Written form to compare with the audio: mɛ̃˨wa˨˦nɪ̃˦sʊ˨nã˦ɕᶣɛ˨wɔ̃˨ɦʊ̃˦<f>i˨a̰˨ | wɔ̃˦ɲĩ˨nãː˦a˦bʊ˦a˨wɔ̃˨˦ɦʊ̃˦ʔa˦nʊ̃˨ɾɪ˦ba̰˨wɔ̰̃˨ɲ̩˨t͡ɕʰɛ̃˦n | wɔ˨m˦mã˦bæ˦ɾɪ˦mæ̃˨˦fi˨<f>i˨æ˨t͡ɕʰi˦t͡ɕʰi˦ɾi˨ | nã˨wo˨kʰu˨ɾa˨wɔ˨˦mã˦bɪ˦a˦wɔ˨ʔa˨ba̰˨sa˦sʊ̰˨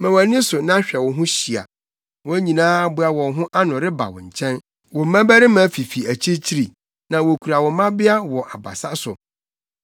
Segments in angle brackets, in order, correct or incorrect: incorrect, correct

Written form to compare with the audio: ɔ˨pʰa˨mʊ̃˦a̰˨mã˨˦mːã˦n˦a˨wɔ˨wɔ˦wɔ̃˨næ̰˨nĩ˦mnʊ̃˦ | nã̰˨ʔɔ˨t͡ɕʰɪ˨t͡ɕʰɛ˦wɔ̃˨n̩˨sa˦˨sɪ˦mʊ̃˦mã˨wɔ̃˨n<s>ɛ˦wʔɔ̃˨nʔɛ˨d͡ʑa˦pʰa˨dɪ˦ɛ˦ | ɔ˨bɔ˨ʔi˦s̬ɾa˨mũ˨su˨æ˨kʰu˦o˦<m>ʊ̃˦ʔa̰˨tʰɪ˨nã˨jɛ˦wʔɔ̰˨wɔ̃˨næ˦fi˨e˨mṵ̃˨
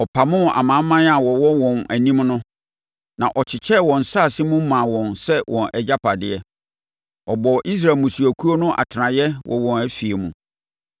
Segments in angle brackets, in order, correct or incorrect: correct, incorrect

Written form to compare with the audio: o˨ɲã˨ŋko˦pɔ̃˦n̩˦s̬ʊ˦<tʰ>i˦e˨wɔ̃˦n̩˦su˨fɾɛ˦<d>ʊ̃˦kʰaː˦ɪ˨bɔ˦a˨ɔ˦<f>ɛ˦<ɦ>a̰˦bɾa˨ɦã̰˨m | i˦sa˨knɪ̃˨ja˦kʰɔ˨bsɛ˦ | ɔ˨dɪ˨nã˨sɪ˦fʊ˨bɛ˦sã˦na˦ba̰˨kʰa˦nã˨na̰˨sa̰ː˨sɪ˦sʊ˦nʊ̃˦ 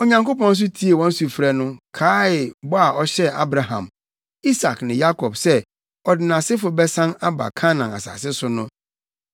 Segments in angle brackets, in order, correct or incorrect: correct, incorrect, incorrect, incorrect

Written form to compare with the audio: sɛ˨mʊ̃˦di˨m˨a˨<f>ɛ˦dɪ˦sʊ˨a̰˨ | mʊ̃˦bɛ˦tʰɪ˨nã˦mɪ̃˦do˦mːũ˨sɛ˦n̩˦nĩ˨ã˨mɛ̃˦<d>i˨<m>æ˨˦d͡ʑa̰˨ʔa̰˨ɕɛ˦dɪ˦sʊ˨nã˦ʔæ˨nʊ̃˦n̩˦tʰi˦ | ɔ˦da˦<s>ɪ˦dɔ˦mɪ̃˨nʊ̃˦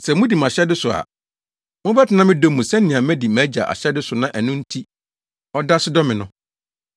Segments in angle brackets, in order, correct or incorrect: incorrect, correct, correct, correct

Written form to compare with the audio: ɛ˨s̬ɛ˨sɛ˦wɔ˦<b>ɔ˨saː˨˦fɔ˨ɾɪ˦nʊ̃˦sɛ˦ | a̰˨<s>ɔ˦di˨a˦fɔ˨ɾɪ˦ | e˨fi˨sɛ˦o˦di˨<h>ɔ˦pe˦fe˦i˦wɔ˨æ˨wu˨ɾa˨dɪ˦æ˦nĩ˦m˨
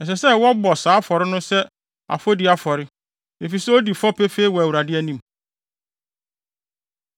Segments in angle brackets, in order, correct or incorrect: correct, incorrect, incorrect

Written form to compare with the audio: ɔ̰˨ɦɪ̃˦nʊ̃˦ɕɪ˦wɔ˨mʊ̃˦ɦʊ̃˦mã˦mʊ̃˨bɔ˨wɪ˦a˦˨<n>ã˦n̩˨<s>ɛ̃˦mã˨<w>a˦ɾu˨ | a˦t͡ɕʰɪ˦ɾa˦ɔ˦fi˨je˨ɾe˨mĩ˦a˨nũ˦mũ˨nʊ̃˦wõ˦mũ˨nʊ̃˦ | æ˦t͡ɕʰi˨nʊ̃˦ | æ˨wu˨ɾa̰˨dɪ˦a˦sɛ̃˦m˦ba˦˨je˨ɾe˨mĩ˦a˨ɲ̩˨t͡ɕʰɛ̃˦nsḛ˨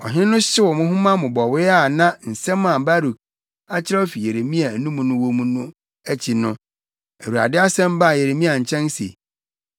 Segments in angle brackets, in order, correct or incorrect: correct, correct, incorrect

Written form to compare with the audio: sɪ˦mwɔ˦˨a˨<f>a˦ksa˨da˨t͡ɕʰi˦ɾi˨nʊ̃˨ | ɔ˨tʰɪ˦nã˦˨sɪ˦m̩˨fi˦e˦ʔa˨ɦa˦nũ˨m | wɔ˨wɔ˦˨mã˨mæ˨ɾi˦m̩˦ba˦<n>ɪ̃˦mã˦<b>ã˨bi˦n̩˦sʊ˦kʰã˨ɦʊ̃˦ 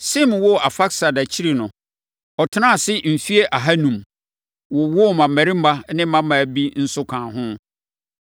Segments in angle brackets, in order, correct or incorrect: correct, correct, incorrect

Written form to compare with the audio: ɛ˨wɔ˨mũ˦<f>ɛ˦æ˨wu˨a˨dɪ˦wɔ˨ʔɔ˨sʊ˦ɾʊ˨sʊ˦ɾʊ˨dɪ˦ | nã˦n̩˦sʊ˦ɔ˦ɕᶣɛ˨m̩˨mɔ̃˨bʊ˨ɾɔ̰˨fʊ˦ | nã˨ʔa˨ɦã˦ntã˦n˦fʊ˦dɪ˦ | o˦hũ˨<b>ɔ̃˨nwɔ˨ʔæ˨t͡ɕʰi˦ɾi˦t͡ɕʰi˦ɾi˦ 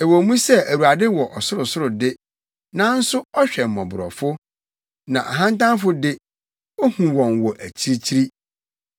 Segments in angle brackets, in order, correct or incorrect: incorrect, incorrect

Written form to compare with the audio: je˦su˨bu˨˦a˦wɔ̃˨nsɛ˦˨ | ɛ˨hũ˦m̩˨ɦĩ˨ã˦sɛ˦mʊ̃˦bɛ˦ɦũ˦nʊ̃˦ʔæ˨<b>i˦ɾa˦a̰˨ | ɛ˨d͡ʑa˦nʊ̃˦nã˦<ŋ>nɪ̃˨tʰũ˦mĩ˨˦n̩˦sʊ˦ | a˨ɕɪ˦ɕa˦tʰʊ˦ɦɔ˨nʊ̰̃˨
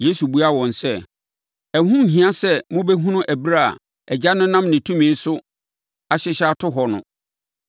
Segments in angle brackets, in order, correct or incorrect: correct, incorrect

